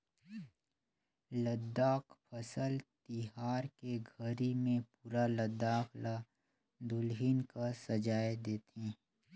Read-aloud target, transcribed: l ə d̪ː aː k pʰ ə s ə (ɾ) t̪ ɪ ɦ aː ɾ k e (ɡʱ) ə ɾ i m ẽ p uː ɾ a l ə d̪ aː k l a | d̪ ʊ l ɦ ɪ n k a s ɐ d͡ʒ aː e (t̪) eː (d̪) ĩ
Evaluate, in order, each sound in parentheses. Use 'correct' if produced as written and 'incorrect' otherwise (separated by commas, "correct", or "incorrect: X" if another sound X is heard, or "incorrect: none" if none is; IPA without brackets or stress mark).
incorrect: l, correct, incorrect: d̪, incorrect: t̪